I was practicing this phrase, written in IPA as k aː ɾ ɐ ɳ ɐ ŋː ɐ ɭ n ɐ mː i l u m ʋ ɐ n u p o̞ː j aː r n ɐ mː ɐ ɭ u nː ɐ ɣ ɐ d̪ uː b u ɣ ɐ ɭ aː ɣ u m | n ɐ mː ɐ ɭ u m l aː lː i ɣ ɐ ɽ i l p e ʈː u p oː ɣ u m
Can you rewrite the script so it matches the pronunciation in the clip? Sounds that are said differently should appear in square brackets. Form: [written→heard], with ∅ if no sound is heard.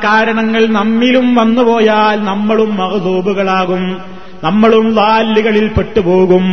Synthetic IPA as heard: k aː ɾ ɐ ɳ ɐ ŋː ɐ ɭ n ɐ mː i l u m ʋ ɐ [n→nː] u p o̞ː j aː [r→l] n ɐ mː ɐ ɭ u [nː→mː] ɐ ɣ ɐ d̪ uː b u ɣ ɐ ɭ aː ɣ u m | n ɐ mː ɐ ɭ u m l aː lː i ɣ ɐ [ɽ→ɭ] i l p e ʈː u p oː ɣ u m